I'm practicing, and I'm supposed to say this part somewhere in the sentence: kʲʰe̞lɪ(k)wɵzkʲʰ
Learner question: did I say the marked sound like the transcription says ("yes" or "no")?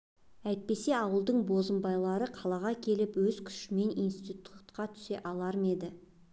no